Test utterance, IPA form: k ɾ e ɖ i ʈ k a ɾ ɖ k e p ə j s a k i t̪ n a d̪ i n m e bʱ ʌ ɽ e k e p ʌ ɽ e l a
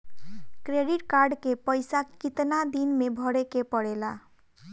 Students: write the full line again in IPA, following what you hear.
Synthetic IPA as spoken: k ɾ e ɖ i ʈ k a ɾ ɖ k e p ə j s a k i t̪ n a d̪ i n m e bʱ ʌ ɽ e k e p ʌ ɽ e l a